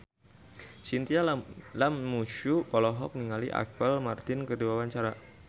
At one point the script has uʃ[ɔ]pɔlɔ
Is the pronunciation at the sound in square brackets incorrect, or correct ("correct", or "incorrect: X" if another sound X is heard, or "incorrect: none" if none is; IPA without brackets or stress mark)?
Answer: incorrect: u